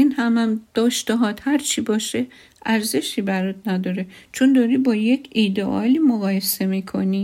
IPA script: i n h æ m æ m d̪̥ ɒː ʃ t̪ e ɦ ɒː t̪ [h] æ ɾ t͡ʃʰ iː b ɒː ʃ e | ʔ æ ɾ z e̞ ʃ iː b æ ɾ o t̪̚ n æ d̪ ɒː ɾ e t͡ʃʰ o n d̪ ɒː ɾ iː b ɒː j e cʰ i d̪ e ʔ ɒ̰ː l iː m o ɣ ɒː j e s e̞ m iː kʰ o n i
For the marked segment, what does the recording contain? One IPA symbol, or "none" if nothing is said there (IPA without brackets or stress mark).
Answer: h